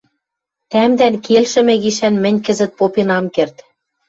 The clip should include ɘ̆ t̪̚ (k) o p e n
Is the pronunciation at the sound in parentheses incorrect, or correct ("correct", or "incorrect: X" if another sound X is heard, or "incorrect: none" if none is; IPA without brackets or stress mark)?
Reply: incorrect: p